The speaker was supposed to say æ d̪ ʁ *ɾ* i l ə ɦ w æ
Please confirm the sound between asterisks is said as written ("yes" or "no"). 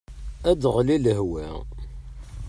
no